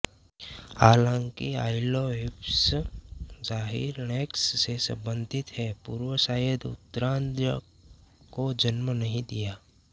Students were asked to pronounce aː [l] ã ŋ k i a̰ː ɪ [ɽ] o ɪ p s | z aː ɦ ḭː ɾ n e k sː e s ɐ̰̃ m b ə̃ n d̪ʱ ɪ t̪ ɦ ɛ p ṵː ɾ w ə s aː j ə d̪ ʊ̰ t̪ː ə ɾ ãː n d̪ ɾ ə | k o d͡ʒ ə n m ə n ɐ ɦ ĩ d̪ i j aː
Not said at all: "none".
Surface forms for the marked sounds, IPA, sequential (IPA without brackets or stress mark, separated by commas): l, l